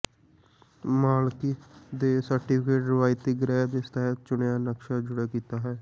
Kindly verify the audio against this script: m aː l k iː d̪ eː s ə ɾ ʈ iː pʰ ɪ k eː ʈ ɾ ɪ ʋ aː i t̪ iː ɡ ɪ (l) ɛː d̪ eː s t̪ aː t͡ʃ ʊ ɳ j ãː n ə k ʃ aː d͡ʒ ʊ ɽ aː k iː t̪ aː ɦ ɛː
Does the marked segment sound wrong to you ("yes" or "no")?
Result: yes